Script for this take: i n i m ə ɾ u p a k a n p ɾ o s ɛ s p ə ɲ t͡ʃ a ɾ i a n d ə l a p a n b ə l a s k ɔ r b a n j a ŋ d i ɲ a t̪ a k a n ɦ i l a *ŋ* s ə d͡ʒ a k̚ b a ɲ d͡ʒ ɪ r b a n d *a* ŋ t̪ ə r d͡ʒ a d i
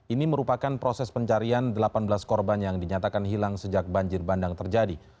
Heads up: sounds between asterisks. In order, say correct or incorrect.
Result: correct, correct

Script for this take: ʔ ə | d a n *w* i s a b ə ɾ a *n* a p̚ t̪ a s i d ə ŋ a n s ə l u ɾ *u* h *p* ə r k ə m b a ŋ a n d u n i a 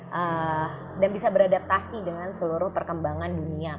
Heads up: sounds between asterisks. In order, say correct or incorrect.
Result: incorrect: b, incorrect: d, incorrect: ʊ, correct

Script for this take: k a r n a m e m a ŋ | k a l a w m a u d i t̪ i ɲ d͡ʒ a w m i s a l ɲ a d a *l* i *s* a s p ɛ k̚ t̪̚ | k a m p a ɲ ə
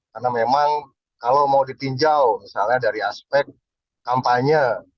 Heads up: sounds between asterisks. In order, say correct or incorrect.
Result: incorrect: ɾ, incorrect: none

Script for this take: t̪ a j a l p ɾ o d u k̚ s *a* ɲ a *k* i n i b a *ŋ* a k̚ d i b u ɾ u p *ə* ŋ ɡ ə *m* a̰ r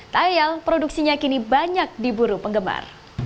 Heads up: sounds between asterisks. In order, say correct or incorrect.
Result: incorrect: i, correct, incorrect: ɲ, correct, correct

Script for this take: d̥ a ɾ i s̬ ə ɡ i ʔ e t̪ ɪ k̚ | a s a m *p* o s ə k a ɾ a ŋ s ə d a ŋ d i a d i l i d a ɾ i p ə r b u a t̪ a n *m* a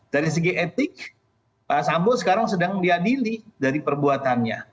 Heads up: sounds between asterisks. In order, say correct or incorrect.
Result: incorrect: b, incorrect: ɲ

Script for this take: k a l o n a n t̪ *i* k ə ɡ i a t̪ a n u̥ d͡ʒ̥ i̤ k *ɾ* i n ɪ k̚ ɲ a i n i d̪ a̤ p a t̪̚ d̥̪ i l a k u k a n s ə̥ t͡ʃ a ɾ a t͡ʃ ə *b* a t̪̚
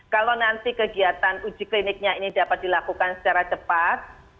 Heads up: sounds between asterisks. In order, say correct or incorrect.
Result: correct, incorrect: l, incorrect: p

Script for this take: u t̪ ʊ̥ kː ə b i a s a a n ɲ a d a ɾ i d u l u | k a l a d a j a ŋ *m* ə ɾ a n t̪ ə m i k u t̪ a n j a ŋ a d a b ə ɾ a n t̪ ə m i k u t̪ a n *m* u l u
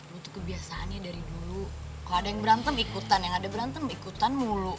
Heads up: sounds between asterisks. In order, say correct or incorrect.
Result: incorrect: b, correct

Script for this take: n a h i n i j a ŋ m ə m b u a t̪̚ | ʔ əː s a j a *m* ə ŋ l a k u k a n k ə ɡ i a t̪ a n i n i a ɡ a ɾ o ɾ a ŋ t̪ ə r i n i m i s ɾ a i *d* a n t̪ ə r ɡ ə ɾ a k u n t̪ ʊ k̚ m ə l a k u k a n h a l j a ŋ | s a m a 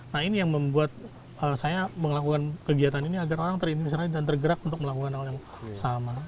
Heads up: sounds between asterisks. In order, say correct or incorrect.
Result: correct, correct

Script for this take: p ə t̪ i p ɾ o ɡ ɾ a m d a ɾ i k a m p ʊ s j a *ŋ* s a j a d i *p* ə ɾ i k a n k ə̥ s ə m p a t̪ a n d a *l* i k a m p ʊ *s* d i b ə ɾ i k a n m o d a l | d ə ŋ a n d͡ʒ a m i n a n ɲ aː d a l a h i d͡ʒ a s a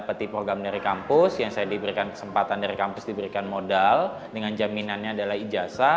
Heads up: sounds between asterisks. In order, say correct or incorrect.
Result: correct, incorrect: b, incorrect: ɾ, correct

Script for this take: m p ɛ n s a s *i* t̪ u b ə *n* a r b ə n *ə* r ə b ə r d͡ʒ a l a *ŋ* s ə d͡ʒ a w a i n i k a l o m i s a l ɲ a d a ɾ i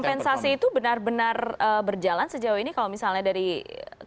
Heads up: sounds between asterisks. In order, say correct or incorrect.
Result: incorrect: iː, correct, incorrect: a, incorrect: n

